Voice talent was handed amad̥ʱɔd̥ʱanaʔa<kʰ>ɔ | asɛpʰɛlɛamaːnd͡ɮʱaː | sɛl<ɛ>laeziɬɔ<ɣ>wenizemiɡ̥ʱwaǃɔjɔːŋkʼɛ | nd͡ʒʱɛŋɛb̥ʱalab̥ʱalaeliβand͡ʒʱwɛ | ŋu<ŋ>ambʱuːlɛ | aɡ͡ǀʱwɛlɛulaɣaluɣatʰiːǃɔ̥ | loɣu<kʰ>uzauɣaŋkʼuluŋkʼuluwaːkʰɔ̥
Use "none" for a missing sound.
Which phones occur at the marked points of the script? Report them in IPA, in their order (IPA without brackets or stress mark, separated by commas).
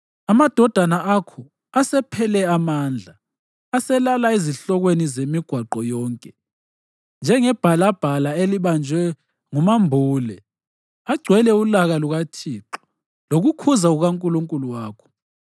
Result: kʰ, a, ɣ, m, kʰ